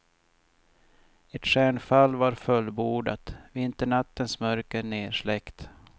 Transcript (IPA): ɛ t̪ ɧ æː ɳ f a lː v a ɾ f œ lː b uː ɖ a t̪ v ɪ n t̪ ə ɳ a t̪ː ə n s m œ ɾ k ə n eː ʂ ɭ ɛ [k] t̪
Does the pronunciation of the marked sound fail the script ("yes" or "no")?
no